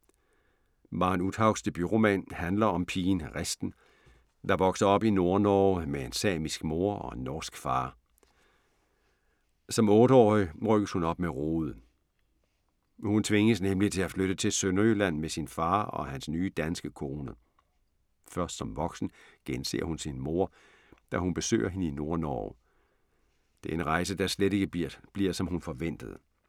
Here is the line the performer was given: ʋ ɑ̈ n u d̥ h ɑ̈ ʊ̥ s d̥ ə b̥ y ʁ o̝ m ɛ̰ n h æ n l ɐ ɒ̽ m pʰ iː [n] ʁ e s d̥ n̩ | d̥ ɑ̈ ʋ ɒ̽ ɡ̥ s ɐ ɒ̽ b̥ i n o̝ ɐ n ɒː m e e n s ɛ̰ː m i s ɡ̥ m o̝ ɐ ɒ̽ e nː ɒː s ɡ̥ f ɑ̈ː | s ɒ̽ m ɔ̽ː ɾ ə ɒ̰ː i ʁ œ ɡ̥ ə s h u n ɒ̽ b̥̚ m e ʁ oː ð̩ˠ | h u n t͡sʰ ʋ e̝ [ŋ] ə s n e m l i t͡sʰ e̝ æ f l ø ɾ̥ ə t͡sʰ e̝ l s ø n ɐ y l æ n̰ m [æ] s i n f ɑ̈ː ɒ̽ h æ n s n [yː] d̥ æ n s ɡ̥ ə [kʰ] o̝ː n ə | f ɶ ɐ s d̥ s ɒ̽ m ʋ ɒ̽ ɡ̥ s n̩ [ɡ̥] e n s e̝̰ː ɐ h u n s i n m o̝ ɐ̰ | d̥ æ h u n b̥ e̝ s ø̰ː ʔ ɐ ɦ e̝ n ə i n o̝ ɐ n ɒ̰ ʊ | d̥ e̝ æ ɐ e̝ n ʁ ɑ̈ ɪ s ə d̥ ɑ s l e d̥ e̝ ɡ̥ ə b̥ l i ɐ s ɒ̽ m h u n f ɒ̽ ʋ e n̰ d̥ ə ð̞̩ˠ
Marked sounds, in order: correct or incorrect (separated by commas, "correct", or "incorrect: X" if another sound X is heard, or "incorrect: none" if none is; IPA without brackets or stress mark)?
correct, correct, incorrect: e, correct, correct, correct